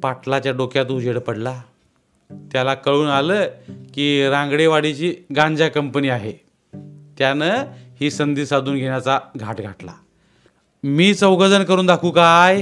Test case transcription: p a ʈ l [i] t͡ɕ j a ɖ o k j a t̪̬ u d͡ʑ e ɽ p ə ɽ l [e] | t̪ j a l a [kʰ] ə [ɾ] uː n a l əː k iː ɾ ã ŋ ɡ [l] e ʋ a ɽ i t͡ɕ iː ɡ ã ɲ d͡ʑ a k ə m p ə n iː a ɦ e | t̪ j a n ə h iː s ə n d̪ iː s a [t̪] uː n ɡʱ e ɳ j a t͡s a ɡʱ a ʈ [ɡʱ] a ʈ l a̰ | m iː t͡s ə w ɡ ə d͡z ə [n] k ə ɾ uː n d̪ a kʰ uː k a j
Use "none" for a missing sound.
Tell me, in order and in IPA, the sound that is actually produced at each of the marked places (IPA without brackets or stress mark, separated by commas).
a, a, k, ɭ, ɽ, d̪, ɡʱ, n